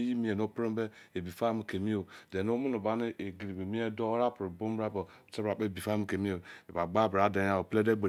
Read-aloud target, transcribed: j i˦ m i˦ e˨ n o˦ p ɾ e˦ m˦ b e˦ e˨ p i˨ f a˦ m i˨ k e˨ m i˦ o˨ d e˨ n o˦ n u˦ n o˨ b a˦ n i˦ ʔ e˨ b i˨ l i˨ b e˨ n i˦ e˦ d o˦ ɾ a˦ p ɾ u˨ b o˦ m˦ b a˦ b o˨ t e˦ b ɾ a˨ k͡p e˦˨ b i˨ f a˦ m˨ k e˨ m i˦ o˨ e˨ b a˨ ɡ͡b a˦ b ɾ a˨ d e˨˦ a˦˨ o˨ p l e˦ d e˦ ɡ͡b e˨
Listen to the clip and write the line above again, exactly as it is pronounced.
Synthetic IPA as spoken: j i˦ m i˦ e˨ n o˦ p ɾ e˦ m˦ b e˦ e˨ b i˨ f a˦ m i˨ k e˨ m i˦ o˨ d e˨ n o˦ m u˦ n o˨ b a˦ n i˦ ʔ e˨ ɡ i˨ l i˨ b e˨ m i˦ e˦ d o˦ ɾ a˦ p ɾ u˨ b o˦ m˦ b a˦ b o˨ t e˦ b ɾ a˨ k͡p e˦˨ b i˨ f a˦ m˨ k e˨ m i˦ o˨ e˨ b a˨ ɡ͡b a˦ b ɾ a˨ d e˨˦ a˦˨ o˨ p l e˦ d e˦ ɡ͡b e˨